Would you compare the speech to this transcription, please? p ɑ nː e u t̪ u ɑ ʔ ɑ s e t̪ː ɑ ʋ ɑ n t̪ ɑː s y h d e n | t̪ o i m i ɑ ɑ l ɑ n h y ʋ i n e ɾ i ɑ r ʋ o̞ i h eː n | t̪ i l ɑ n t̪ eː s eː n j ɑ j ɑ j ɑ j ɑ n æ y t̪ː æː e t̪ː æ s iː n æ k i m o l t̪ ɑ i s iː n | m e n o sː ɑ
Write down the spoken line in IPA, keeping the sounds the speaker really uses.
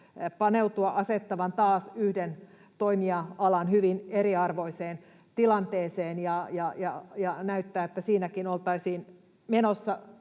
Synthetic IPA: p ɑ n e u t̪ u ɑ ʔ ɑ s e t̪ː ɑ ʋ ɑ n t̪ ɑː s y h d e n | t̪ o i m i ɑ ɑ l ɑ n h y ʋ i n e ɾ i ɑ r ʋ o̞ i s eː n | t̪ i l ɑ n t̪ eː s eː n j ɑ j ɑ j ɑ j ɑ n æ y t̪ː æː e t̪ː æ s iː n æ k i n o l t̪ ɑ i s iː n | m e n o sː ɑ